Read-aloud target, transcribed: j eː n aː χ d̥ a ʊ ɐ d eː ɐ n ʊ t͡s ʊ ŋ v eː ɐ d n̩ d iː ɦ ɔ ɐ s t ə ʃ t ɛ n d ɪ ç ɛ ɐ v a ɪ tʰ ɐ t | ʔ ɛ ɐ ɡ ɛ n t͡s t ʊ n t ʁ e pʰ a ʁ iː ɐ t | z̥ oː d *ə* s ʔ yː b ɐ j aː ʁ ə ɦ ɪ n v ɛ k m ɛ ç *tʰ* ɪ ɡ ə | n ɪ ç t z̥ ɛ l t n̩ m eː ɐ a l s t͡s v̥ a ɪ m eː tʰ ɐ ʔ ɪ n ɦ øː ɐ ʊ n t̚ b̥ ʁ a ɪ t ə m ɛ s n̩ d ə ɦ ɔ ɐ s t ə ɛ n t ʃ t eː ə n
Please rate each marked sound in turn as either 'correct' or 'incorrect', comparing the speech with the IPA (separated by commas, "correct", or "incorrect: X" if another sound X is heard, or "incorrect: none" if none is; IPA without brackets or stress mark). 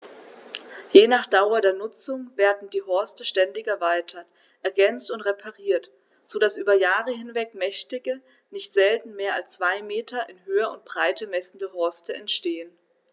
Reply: incorrect: a, incorrect: t